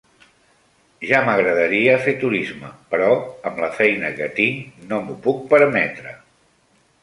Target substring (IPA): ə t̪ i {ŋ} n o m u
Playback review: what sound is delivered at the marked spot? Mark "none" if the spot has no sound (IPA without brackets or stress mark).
ŋ